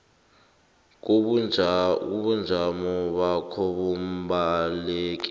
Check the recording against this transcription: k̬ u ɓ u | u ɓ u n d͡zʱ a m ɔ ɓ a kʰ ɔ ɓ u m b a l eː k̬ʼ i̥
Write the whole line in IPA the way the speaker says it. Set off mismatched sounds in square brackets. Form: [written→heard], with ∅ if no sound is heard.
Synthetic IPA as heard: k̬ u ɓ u | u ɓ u n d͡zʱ a m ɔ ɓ a kʰ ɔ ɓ u m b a l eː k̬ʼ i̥

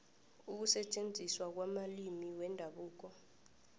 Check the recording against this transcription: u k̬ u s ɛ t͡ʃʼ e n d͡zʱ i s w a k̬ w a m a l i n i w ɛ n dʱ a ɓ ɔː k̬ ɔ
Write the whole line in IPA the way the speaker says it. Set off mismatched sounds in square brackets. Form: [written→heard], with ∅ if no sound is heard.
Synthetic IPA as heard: u k̬ u s ɛ t͡ʃʼ e n d͡zʱ i s w a k̬ w a m a l i [n→m] i w ɛ n dʱ a ɓ [ɔː→uː] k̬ ɔ

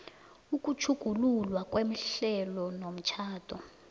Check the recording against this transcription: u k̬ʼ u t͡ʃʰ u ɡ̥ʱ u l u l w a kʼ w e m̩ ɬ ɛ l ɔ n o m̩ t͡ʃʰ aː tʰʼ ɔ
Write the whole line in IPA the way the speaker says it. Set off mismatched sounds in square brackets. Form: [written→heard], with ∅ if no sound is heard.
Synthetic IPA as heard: u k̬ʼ u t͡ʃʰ u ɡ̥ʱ u l u l w a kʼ w e m̩ ɬ ɛ l ɔ n o m̩ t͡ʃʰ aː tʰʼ ɔ

